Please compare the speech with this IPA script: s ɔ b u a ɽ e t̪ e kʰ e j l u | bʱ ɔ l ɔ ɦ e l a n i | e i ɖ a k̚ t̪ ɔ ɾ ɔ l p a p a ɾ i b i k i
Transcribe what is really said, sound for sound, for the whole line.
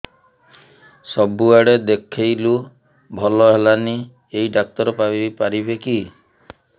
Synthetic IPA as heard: s ɔ b u a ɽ e d̪ e kʰ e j l u | bʱ ɔ l ɔ ɦ e l a n i | e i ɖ a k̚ t̪ ɔ ɾ ɔ p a p a ɾ i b e k i